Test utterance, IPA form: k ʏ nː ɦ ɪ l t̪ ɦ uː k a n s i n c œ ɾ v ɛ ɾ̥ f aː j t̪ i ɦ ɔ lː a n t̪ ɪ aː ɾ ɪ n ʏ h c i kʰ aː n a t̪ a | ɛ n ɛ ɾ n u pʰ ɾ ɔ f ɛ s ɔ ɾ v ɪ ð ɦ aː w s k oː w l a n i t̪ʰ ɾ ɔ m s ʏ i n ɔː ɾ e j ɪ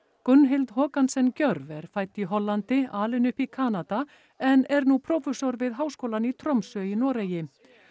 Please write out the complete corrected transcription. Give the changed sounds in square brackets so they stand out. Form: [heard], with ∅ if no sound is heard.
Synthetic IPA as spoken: k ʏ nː ɦ ɪ l t̪ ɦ [ɔː] k a n s [ɛ] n c œ ɾ v ɛ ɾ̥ f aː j t̪ i ɦ ɔ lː a n t̪ ɪ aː [l] ɪ n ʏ h [p] i kʰ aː n a t̪ a | ɛ n ɛ ɾ n u pʰ ɾ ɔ f ɛ s ɔ ɾ v ɪ ð ɦ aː w s k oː w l a n i t̪ʰ ɾ ɔ m s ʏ i n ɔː ɾ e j ɪ